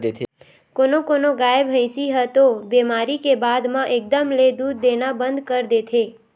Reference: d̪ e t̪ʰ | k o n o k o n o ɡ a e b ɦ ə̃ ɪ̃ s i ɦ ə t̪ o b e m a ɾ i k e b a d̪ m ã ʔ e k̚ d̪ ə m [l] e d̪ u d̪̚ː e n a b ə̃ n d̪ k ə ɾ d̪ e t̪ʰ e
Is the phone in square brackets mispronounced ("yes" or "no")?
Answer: no